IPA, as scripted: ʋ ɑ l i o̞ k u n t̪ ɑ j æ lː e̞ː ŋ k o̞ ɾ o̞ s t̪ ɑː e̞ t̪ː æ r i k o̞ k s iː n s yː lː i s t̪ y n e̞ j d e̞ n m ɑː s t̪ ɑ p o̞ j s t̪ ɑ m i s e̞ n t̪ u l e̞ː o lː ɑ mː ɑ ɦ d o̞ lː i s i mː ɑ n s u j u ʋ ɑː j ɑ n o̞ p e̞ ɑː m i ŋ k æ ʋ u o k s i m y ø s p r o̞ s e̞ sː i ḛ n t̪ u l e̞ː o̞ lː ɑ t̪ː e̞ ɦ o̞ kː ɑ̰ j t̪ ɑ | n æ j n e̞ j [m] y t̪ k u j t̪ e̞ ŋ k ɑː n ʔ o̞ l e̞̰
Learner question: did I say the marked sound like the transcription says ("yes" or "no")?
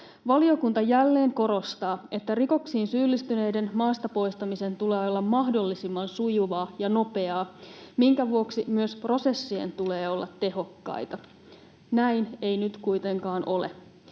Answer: no